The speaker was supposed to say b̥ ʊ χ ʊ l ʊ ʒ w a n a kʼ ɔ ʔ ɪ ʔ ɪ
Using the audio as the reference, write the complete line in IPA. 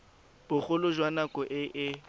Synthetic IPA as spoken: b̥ ʊ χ ʊ l ʊ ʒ w a n a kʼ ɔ ʔ ɪ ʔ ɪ